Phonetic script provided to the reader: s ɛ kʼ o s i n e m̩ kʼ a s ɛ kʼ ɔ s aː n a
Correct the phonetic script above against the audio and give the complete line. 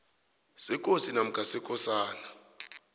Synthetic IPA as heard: s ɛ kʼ o s i n a m̩ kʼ a s ɛ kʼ ɔ s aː n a